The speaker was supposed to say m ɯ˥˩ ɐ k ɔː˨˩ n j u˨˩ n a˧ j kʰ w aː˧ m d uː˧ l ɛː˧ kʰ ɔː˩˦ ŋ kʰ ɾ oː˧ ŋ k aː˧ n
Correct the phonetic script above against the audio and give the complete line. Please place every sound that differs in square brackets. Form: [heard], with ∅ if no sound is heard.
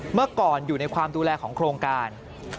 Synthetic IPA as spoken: m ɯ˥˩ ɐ k ɔː˨˩ n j [uː˨˩] n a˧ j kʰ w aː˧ m d uː˧ l ɛː˧ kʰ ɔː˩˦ ŋ kʰ ɾ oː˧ ŋ k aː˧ n